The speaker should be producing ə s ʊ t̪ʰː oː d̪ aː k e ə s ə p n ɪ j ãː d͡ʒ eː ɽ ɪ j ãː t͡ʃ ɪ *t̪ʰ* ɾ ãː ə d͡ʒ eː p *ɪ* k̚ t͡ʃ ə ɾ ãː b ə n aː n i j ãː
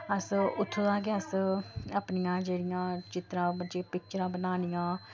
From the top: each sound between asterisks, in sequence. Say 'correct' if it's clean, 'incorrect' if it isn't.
incorrect: t̪, correct

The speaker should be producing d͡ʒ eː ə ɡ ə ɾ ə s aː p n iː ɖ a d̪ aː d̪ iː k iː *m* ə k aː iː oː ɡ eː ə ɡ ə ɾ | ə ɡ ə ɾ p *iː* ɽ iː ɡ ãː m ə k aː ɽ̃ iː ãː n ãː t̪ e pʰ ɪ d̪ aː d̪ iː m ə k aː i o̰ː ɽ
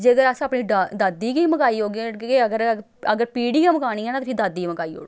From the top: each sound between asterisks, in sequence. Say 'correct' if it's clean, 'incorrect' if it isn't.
correct, correct

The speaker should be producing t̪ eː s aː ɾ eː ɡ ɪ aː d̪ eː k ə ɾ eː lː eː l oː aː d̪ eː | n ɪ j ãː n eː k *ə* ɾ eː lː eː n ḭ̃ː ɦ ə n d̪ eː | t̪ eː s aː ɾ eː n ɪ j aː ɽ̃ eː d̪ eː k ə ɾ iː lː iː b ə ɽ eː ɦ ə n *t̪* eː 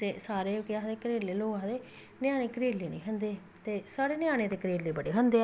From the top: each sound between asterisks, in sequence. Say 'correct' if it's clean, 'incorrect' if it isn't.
correct, incorrect: d̪

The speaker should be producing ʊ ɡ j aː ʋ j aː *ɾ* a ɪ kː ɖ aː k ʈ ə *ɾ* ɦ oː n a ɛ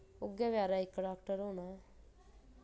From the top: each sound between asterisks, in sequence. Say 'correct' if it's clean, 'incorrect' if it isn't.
correct, correct

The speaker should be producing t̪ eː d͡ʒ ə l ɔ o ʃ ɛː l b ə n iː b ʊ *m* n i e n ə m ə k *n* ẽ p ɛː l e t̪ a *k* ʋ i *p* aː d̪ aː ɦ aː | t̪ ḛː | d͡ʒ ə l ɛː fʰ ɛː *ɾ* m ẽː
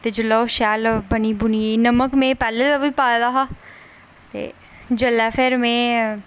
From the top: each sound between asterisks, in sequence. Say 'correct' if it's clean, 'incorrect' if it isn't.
incorrect: none, incorrect: m, incorrect: none, correct, correct

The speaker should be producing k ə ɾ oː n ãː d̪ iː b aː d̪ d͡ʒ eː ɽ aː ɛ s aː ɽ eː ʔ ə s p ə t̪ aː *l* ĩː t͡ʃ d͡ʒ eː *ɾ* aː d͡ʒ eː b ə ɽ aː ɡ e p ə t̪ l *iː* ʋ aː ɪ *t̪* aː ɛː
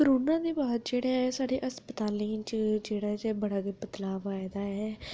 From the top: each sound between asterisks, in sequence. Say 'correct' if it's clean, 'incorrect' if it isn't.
correct, incorrect: ɽ, incorrect: aː, incorrect: d̪

